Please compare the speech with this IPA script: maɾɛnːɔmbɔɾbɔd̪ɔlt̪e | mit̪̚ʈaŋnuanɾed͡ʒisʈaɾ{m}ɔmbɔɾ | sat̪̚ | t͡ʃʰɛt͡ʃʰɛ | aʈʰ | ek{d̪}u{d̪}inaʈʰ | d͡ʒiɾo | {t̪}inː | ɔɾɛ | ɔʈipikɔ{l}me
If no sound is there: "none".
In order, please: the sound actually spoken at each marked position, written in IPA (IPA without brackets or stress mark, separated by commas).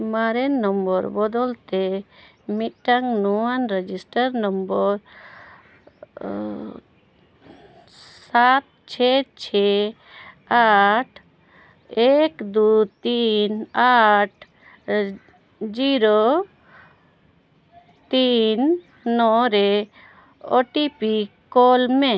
n, d̪, t̪, t̪, l